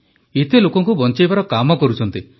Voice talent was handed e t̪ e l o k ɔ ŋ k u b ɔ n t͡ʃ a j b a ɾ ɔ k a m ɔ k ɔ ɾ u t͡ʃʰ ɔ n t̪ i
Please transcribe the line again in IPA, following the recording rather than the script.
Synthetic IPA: e t̪ e l o k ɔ ŋ k u b ɔ n t͡ʃ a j b a ɾ ɔ k a m ɔ k ɔ ɾ u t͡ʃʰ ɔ n t̪ i